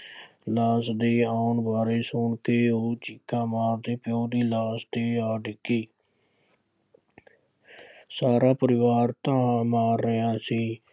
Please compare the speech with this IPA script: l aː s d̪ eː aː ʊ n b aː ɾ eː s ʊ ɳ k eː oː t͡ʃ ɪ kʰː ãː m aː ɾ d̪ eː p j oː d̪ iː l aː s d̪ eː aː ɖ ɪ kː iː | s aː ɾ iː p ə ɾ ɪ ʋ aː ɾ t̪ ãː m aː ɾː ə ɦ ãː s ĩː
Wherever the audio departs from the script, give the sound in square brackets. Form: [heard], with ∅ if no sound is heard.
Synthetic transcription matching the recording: l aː s d̪ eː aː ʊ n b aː ɾ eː s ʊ ɳ k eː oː t͡ʃ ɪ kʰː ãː m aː ɾ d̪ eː p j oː d̪ iː l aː s d̪ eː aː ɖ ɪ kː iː | s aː ɾ [aː] p ə ɾ ɪ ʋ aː ɾ t̪ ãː m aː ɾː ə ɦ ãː s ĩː